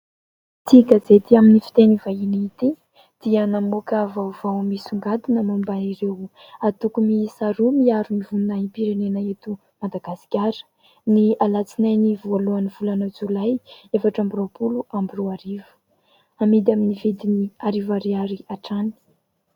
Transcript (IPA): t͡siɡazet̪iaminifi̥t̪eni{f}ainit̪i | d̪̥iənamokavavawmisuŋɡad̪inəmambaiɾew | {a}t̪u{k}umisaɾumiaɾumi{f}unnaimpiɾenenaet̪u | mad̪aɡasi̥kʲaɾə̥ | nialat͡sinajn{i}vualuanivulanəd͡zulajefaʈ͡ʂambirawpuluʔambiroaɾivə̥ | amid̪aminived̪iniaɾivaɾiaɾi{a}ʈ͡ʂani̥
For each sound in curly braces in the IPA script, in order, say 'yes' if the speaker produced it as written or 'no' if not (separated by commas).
no, yes, yes, no, yes, yes